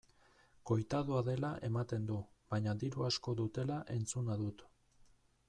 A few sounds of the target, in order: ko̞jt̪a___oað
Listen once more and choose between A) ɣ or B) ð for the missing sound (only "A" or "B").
B